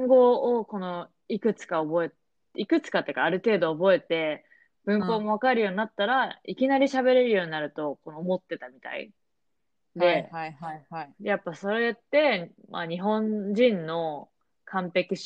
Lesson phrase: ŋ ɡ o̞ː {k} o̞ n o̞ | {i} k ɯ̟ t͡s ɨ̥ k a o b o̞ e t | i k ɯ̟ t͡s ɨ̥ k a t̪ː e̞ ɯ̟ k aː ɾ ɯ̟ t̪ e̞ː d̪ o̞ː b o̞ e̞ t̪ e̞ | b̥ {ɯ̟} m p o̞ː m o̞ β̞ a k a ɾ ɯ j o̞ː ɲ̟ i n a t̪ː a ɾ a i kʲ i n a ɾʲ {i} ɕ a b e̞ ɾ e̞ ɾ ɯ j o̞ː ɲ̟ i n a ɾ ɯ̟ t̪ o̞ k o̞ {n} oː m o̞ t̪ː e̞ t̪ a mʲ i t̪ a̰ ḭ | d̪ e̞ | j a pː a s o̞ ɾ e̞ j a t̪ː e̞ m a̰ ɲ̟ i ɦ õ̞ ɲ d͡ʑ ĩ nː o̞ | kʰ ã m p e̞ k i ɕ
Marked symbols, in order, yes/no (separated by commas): yes, yes, no, yes, yes